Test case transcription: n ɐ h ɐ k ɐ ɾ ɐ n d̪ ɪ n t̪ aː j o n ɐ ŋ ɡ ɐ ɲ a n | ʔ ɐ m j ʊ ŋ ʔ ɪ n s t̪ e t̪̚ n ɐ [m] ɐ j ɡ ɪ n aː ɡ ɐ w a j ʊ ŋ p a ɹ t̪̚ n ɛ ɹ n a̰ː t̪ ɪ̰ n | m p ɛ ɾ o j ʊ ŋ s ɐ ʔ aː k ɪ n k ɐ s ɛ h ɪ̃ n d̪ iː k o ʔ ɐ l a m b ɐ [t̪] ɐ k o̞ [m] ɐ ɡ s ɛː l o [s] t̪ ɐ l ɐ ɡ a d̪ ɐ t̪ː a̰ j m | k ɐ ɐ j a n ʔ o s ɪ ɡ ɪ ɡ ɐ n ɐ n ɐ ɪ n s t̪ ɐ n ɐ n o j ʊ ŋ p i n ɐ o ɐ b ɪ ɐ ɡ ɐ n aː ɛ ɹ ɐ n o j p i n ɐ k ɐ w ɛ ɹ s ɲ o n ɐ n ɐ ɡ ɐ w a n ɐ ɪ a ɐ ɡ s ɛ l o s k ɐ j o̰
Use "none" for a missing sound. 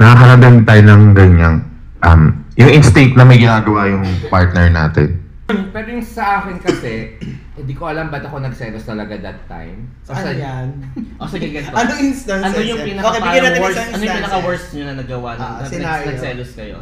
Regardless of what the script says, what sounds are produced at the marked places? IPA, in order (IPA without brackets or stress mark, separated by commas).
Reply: m, t̪, n, s